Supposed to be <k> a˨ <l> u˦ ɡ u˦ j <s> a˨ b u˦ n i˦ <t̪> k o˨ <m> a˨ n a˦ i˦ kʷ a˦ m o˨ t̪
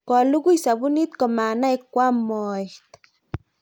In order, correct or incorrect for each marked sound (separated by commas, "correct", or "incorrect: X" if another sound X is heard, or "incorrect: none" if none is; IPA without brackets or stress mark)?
correct, correct, correct, correct, correct